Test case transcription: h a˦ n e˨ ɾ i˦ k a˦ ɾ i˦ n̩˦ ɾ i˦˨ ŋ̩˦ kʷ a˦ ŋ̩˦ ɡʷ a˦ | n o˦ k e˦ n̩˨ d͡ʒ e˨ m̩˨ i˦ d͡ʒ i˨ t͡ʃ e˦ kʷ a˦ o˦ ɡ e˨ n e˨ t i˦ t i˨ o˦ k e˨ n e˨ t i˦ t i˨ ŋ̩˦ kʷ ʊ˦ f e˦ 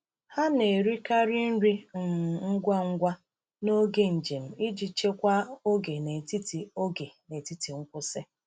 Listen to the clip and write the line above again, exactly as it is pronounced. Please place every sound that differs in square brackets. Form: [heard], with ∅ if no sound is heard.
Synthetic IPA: h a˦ n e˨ ɾ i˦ k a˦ ɾ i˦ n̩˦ ɾ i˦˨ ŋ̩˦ [ɡʷ] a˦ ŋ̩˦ ɡʷ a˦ | n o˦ [ɡ] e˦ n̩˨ d͡ʒ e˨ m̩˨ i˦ d͡ʒ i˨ t͡ʃ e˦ kʷ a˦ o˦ ɡ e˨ n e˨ t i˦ t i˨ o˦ [ɡ] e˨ n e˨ t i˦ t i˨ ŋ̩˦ kʷ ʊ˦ [s] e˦